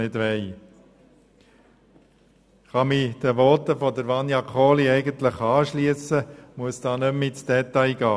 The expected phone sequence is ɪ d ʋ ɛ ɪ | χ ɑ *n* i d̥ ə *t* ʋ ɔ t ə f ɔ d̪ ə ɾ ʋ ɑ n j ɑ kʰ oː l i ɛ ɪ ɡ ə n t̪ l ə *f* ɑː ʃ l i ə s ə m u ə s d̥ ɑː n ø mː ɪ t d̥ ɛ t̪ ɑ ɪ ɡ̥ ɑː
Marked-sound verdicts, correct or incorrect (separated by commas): incorrect, incorrect, incorrect